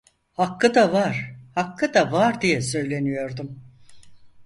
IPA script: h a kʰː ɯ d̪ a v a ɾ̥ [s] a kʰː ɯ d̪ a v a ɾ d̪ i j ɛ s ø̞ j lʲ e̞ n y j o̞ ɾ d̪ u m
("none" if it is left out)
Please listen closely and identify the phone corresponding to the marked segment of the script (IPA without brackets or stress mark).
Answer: h